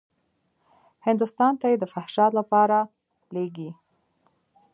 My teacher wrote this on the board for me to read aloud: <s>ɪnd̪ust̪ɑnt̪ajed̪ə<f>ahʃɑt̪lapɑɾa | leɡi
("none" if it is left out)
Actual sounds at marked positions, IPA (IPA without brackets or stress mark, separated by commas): h, f